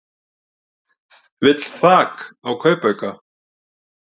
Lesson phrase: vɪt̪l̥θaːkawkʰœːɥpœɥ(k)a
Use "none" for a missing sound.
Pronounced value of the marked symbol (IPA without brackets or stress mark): k